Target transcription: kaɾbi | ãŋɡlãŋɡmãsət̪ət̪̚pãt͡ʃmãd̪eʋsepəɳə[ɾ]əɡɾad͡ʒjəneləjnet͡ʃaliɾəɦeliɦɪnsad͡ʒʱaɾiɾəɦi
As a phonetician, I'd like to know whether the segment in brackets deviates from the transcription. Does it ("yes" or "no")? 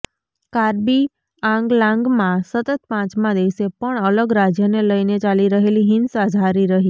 yes